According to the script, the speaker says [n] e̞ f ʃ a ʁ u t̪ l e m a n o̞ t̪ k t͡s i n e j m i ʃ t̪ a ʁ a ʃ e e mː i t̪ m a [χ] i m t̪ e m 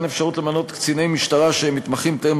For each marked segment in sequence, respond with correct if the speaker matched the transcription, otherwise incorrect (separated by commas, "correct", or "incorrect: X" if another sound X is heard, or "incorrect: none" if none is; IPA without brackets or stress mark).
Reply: correct, correct